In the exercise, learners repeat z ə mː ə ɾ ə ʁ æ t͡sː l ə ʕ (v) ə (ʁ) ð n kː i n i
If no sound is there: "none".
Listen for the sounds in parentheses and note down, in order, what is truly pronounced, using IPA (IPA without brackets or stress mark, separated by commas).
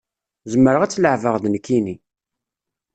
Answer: v, ʁ